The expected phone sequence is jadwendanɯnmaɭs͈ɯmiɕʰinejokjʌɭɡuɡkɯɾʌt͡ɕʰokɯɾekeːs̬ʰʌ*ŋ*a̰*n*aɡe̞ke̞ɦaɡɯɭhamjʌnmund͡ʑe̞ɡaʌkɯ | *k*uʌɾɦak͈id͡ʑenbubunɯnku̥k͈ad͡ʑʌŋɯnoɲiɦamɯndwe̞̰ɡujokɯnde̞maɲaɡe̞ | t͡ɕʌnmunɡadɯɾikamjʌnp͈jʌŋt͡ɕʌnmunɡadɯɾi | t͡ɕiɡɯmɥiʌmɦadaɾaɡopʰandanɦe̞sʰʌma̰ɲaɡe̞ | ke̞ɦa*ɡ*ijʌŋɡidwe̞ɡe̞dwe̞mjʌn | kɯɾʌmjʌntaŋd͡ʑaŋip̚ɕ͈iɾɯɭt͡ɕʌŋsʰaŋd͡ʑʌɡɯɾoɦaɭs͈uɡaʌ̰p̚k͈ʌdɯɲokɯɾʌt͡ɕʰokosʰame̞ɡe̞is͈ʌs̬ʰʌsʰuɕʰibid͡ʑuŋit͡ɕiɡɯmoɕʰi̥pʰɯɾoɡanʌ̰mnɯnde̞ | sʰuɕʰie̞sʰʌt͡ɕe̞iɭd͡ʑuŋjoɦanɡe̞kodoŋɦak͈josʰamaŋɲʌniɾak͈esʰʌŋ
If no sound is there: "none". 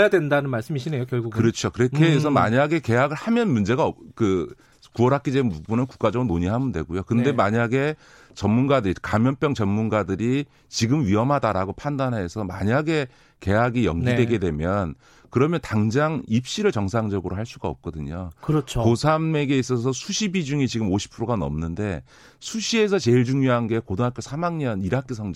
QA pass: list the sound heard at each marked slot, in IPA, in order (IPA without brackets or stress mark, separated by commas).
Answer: m, ɲ, k, ɡ